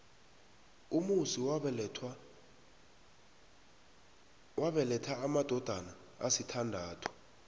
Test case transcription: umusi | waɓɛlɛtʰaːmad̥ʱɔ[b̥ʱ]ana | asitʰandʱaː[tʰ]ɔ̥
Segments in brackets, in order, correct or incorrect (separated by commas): incorrect, correct